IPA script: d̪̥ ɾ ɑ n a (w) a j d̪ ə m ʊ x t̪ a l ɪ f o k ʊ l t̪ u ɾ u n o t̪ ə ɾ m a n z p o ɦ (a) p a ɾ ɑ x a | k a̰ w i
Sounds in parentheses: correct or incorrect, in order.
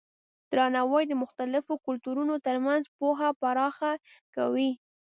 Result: correct, correct

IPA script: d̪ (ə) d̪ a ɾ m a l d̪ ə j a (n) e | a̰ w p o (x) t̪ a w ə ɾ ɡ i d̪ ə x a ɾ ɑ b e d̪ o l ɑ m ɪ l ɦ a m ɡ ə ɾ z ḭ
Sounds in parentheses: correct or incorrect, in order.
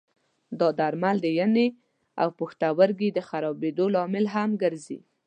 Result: incorrect, correct, correct

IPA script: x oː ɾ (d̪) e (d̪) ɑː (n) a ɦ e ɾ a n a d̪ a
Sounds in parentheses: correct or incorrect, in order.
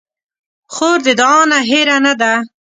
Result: correct, correct, correct

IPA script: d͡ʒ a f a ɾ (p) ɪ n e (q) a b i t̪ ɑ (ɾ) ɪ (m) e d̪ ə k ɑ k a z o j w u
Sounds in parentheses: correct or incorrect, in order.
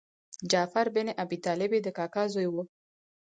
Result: incorrect, incorrect, incorrect, incorrect

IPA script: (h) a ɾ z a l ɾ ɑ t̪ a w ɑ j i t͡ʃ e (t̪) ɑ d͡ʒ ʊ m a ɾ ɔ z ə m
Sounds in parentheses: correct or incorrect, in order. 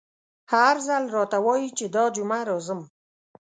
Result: correct, incorrect

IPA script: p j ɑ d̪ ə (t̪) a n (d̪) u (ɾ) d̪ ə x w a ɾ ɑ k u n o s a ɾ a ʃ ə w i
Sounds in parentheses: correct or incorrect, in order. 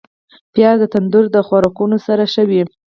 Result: correct, correct, correct

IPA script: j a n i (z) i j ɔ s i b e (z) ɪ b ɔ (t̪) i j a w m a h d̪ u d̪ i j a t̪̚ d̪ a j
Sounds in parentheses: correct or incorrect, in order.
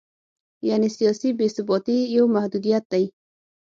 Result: incorrect, incorrect, correct

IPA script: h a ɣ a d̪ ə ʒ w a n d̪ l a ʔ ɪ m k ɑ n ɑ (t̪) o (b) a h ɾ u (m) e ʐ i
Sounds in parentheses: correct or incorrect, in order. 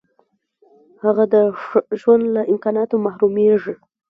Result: correct, incorrect, correct

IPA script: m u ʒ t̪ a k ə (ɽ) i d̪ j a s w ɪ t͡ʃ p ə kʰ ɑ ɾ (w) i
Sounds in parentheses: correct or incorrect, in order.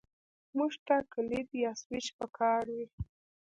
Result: incorrect, correct

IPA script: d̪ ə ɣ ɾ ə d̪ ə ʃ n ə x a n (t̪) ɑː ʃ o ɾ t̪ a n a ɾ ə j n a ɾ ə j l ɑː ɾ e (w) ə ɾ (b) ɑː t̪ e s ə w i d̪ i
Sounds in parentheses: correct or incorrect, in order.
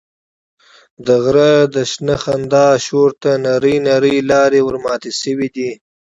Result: incorrect, correct, incorrect

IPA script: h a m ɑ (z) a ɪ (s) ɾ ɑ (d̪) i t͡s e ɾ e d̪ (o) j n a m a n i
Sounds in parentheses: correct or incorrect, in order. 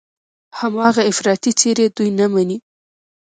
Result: incorrect, incorrect, incorrect, incorrect

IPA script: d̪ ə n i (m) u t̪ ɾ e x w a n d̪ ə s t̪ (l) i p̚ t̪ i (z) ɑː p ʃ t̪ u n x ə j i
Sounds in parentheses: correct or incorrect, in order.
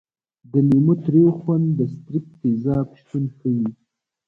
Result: correct, incorrect, correct

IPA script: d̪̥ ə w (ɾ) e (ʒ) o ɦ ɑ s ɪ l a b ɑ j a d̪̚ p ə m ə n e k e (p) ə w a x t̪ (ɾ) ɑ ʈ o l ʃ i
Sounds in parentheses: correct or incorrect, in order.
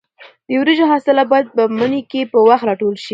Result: correct, correct, correct, correct

